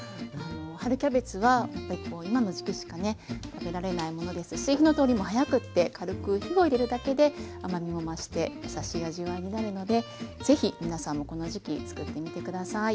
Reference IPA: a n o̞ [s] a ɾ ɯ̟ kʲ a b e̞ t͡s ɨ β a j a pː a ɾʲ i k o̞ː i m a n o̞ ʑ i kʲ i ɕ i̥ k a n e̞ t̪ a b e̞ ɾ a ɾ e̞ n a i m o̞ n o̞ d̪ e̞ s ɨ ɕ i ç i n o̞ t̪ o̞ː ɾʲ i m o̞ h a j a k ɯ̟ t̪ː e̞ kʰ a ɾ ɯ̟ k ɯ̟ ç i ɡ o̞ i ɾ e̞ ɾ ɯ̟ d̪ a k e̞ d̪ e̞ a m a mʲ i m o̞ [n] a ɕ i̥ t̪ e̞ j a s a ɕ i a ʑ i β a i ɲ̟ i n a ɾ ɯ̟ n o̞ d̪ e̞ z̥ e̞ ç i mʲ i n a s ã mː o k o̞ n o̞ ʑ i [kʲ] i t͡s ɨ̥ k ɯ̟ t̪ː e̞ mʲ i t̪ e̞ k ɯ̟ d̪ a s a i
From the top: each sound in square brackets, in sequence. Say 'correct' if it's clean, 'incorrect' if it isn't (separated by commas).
incorrect, incorrect, correct